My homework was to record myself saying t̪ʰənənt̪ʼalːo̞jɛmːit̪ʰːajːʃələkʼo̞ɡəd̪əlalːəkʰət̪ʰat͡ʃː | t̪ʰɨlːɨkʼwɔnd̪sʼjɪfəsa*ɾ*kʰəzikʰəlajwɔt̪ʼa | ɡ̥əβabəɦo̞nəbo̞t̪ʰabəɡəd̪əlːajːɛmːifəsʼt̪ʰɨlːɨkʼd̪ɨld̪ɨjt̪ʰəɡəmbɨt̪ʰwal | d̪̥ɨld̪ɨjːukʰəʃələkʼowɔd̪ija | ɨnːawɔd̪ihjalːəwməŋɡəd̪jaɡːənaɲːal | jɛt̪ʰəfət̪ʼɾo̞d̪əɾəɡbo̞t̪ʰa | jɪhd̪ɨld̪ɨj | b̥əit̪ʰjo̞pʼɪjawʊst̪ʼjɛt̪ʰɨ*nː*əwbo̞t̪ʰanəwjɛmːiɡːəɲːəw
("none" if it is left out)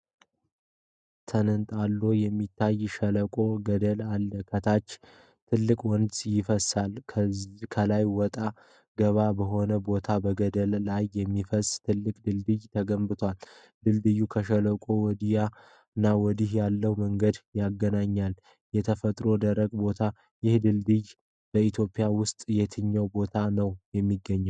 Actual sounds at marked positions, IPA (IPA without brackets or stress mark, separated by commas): l, ɲː